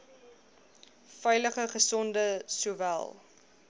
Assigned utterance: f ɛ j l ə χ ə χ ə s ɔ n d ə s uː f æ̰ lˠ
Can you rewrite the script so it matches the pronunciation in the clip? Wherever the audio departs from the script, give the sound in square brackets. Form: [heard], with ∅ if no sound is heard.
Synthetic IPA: f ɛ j l ə χ ə χ ə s ɔ n d ə s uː [v] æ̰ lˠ